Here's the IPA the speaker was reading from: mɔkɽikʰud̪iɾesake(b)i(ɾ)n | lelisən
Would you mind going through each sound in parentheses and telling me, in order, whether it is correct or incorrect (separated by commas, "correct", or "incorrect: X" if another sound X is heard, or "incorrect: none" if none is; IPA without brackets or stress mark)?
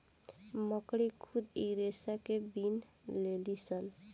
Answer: correct, incorrect: none